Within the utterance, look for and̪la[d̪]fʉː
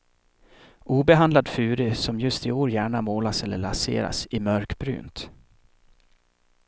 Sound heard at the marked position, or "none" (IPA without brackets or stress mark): d̪